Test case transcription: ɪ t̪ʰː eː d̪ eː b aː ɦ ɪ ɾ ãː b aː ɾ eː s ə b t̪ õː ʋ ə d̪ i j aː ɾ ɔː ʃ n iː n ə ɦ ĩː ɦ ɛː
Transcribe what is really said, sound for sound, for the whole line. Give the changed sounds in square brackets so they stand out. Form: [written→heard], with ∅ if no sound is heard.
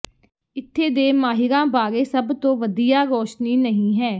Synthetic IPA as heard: ɪ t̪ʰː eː d̪ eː [b→m] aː ɦ ɪ ɾ ãː b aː ɾ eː s ə b t̪ õː ʋ ə d̪ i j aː ɾ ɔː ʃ n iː n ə ɦ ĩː ɦ ɛː